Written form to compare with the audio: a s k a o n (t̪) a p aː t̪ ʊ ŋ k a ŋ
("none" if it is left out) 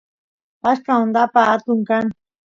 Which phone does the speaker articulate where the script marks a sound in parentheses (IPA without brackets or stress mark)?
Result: d̪